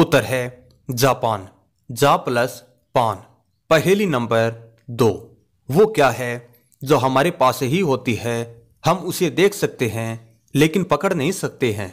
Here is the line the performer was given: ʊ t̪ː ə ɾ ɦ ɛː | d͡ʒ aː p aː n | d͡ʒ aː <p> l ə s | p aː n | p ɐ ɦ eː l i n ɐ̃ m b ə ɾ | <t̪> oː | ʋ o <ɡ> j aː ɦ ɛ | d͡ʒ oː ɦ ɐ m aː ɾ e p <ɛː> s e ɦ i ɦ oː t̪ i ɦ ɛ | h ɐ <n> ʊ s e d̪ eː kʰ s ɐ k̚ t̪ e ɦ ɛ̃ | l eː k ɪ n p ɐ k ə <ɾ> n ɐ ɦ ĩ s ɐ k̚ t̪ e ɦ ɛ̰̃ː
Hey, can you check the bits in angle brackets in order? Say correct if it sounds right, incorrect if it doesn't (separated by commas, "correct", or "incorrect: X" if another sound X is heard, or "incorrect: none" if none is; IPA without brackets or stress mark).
correct, incorrect: d̪, incorrect: k, incorrect: aː, incorrect: m, incorrect: ɽ